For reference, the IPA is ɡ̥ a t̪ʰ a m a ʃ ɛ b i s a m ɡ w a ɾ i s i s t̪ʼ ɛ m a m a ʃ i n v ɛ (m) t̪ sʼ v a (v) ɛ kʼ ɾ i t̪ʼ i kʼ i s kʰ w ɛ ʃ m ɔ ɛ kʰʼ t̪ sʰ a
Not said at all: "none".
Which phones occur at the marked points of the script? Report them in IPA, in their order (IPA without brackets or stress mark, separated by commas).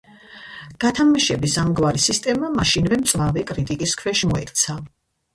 m, v